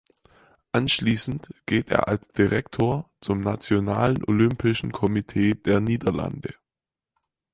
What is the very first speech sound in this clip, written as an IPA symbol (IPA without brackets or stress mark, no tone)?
ʔ